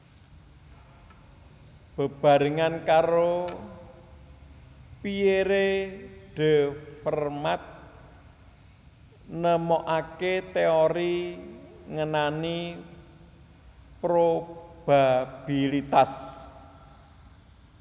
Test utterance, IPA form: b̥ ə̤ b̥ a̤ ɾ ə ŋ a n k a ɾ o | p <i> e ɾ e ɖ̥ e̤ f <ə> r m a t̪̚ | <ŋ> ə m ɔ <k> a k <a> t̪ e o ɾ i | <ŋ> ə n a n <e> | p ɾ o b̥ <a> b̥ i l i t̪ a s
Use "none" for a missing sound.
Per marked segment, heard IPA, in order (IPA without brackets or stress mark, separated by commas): i, ə, n, ʔ, e, ŋ, i, a